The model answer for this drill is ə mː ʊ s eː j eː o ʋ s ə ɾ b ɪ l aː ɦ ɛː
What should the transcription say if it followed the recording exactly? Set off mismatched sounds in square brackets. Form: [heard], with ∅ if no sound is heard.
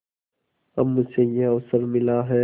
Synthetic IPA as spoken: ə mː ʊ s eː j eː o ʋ s ə ɾ [m] ɪ l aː ɦ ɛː